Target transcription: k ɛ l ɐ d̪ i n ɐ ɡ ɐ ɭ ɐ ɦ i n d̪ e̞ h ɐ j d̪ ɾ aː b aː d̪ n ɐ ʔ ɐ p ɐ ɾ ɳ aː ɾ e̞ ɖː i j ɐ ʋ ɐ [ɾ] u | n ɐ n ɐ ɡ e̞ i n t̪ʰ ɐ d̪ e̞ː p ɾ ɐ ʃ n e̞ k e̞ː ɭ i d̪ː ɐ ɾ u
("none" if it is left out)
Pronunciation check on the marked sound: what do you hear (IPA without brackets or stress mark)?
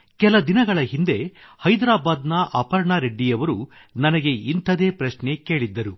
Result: ɾ